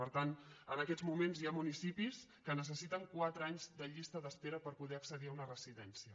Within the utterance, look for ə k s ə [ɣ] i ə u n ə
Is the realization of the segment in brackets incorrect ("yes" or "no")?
yes